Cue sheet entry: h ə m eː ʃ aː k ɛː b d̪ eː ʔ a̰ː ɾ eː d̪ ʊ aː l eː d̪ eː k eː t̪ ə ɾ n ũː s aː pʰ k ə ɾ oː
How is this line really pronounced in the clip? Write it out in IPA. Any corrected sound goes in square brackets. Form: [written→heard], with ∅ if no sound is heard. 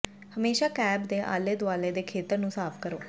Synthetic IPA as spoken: h ə m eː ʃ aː k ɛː b d̪ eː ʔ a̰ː [ɾ→l] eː d̪ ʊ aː l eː d̪ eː [k→kʰ] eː t̪ ə ɾ n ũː s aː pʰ k ə ɾ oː